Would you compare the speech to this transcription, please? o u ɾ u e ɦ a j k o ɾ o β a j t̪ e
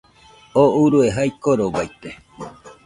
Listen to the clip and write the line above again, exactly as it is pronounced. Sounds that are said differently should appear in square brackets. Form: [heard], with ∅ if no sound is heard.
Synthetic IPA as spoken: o u ɾ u e ɦ a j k o ɾ o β a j t̪ e